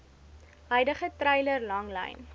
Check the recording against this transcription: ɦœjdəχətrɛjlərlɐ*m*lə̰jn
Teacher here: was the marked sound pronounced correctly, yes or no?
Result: no